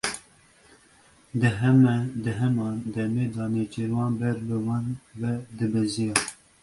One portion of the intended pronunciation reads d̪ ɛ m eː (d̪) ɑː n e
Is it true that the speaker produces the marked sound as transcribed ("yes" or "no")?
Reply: yes